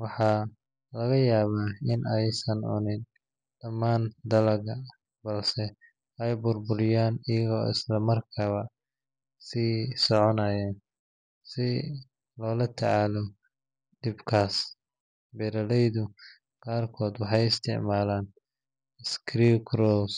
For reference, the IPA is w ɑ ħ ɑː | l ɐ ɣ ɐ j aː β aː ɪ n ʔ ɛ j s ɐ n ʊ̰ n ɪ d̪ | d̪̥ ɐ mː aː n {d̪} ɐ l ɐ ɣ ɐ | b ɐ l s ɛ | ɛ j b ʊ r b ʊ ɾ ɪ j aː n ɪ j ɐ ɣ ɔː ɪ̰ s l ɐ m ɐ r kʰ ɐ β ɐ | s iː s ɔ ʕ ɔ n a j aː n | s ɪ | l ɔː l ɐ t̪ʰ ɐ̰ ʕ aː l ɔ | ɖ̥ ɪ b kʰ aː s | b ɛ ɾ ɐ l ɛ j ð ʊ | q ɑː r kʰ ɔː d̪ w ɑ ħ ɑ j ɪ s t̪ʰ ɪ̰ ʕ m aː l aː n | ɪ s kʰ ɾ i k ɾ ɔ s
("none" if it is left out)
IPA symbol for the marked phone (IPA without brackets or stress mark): d̪